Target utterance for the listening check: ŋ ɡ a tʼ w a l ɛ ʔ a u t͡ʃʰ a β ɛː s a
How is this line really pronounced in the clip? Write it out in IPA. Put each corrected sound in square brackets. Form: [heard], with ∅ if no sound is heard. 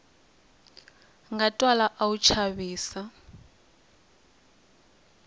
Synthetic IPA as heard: ŋ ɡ a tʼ w a l [a] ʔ a u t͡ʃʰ a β [iː] s a